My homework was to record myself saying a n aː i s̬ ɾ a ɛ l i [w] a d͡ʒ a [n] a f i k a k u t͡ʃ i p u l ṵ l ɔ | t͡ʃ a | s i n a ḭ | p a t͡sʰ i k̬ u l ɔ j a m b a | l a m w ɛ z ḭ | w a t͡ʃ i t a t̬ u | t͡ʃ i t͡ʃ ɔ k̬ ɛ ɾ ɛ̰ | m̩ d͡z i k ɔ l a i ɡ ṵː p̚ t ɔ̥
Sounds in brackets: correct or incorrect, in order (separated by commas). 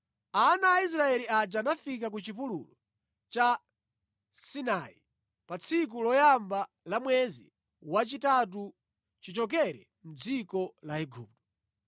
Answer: incorrect, correct